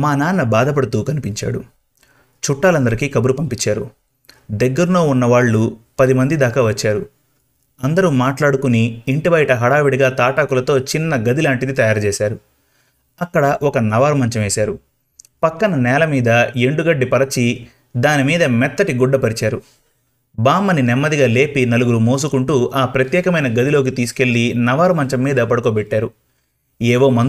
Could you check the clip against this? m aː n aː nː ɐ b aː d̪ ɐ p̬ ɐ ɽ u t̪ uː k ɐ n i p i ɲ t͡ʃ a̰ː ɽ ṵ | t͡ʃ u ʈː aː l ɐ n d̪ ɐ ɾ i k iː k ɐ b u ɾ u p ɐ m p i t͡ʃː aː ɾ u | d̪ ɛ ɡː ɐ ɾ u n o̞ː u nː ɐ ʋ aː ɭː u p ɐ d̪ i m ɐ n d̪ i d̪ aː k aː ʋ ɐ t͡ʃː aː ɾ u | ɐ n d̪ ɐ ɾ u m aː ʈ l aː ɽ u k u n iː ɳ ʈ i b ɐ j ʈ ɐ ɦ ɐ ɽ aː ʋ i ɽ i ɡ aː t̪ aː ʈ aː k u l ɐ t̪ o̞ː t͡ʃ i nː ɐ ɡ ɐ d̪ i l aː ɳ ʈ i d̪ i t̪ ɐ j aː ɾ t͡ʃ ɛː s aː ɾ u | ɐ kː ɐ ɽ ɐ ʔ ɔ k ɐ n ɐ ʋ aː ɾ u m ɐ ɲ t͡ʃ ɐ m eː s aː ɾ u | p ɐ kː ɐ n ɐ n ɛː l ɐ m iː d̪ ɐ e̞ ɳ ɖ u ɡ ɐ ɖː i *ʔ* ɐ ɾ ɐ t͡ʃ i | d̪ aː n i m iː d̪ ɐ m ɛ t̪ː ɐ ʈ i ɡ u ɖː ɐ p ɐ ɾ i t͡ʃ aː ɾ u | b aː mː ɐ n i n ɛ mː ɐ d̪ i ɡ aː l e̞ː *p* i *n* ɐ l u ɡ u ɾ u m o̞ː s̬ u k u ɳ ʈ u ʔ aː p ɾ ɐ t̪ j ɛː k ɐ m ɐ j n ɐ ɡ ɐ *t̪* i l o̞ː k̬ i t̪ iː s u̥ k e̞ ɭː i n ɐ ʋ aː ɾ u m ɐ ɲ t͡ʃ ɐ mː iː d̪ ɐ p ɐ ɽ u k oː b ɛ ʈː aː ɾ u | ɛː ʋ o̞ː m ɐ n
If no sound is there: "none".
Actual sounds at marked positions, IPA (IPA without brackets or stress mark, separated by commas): p, p, n, d̪